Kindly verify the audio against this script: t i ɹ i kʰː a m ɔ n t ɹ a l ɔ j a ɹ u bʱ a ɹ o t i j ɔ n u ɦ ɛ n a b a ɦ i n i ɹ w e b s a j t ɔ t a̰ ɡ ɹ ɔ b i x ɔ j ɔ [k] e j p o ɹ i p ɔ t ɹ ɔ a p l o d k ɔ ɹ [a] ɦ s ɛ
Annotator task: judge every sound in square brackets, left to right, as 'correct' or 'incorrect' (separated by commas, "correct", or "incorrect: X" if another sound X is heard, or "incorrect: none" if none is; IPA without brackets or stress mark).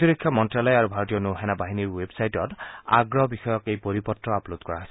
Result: correct, correct